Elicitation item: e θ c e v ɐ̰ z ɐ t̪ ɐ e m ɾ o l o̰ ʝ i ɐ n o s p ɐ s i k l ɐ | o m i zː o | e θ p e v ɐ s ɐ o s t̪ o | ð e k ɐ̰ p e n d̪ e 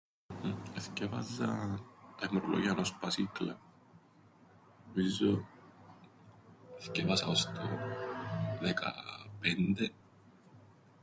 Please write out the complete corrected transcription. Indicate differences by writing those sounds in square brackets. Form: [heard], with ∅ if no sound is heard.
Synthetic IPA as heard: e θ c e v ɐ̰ z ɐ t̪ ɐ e m ɾ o l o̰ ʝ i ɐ n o s p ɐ s i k l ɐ | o m i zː o | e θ [c] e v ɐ s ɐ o s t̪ o | ð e k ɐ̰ p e n d̪ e

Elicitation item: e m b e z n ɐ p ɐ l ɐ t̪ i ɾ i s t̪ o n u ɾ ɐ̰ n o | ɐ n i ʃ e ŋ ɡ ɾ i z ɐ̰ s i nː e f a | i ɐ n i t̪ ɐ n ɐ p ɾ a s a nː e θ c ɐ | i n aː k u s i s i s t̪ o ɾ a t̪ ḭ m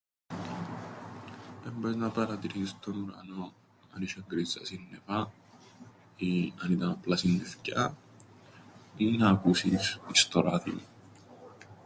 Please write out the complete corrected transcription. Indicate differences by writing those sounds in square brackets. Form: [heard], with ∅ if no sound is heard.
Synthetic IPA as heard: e m b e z n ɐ p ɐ [ɾ] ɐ t̪ i ɾ i s t̪ o n u ɾ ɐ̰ n o | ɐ n i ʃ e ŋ ɡ ɾ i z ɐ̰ s i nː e f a | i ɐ n i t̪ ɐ n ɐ p [l] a s [i] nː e [f] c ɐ | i n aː k u s i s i s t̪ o ɾ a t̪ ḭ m

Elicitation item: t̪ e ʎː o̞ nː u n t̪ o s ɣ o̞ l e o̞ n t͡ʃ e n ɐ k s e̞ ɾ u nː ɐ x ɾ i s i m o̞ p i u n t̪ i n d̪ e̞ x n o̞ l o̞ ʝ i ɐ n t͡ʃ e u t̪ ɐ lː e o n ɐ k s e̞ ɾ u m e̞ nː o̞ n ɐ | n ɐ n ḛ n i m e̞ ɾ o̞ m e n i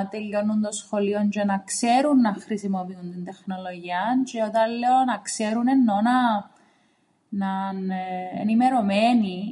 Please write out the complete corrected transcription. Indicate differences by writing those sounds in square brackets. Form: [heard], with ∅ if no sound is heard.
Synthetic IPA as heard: t̪ e ʎː o̞ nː u n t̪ o s [x] o̞ l [i] o̞ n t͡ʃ e n ɐ k s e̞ ɾ u nː ɐ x ɾ i s i m o̞ p i u n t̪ i n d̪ e̞ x n o̞ l o̞ ʝ i ɐ n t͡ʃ e [o] t̪ ɐ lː e o n ɐ k s e̞ ɾ u [n] e̞ nː o̞ n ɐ | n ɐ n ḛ n i m e̞ ɾ o̞ m e n i

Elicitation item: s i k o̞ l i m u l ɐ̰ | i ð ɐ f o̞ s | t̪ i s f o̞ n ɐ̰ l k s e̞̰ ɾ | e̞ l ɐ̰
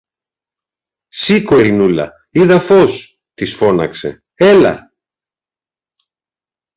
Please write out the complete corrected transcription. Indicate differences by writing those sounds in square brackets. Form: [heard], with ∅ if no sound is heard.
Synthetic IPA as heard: s i k o̞ [ɾ] i [n] u l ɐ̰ | i ð ɐ f o̞ s | t̪ i s f o̞ n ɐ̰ [∅] k s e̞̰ [∅] | e̞ l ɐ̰

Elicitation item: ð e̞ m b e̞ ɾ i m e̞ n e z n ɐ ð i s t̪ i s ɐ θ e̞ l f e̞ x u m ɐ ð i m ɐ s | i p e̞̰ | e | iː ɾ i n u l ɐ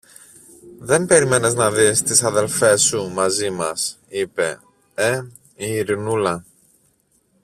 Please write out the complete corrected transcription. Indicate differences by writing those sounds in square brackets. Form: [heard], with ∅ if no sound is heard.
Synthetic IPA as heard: ð e̞ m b e̞ ɾ i m e̞ n e z n ɐ ð i s t̪ i s ɐ [ð] e̞ l f e̞ [s] u m ɐ [z] i m ɐ s | i p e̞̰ | e | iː ɾ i n u l ɐ

